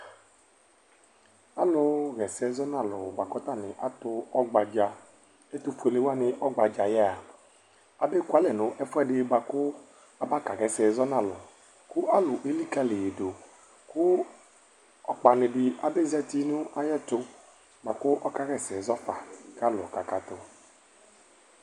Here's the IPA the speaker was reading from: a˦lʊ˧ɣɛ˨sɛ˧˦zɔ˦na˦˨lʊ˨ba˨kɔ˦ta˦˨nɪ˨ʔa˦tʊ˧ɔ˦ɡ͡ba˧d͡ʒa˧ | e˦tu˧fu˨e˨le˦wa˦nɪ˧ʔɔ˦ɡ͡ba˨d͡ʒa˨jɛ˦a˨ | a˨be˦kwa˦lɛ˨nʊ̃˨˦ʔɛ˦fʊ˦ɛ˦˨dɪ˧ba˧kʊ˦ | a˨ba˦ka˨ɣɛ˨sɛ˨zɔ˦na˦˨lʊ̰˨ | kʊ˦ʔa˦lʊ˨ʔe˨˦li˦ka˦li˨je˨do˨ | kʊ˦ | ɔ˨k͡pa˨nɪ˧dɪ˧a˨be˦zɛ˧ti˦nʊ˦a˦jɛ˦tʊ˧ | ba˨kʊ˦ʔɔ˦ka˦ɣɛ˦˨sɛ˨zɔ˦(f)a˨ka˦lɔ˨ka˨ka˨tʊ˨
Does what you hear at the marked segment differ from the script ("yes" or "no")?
no